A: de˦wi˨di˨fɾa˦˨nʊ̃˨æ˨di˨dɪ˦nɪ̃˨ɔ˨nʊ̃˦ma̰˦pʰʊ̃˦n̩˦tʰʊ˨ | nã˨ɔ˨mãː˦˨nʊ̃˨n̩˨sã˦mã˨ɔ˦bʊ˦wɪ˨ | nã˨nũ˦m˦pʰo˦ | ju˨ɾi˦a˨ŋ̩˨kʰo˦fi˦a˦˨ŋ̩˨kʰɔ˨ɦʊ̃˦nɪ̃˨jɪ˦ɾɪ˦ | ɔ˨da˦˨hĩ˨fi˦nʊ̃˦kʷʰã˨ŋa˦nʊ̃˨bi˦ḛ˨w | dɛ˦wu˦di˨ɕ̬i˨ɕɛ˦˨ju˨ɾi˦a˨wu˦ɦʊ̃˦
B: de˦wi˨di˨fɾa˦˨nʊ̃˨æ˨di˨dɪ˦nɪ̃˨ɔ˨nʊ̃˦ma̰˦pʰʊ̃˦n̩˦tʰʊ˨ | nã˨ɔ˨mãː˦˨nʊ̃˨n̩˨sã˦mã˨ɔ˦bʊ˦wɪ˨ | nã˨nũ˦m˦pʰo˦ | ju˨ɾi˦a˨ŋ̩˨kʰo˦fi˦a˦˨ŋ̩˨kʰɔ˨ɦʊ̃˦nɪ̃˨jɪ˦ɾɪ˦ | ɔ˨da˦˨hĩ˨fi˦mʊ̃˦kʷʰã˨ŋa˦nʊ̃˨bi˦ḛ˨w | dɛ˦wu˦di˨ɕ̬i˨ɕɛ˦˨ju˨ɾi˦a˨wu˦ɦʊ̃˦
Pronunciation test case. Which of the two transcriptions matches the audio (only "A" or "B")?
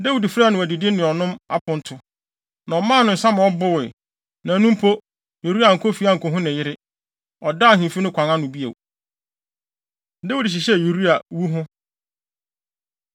A